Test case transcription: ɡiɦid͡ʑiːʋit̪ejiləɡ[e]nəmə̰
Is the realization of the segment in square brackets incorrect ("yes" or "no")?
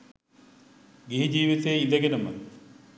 no